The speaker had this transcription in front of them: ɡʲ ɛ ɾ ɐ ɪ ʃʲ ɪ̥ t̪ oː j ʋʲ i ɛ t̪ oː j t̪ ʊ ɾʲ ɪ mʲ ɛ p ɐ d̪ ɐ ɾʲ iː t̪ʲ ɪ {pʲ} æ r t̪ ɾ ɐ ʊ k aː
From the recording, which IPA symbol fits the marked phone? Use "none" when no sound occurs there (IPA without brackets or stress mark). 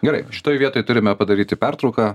pʲ